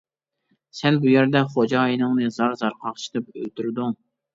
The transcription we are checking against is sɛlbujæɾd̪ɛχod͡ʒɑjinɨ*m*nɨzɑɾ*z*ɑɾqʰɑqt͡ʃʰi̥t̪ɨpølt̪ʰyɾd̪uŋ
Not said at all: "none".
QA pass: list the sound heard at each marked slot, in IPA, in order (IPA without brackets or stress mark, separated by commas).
ŋ, z